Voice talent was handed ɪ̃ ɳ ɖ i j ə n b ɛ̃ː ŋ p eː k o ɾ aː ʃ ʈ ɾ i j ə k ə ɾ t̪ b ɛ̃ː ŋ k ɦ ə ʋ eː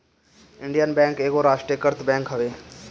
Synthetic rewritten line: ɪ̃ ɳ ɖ i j ə n b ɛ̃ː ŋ k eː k o ɾ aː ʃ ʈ ɾ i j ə k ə ɾ t̪ b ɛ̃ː ŋ k ɦ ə ʋ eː